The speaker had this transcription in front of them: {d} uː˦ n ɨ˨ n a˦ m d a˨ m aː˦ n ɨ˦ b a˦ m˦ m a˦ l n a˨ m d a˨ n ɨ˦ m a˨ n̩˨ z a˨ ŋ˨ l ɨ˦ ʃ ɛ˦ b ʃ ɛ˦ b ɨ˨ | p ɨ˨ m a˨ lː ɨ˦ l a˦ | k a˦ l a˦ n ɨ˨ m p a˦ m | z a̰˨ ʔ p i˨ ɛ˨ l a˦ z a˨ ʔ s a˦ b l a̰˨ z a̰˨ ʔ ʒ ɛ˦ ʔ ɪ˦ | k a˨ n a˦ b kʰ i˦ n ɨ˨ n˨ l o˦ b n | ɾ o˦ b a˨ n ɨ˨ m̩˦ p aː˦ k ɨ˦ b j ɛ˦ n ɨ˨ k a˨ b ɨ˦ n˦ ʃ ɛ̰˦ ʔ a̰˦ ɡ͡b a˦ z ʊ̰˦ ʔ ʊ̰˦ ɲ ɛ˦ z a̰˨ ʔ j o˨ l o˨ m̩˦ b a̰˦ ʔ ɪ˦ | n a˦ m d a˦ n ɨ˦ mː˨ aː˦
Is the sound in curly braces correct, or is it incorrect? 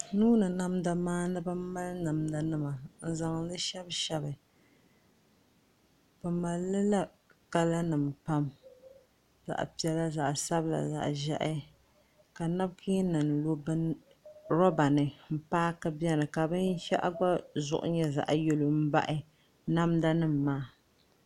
incorrect